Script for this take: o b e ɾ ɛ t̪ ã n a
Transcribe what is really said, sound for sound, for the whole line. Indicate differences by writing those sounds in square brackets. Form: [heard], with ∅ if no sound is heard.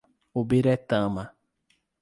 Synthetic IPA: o b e ɾ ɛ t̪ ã [m] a